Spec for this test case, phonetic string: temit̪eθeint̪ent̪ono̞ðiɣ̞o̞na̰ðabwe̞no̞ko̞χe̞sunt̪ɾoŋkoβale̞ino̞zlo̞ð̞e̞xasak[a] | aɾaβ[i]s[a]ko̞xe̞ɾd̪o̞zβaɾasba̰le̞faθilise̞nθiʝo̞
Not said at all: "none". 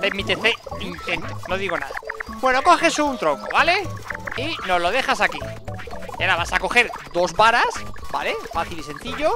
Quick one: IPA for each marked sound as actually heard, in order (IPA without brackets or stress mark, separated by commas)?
i, a, a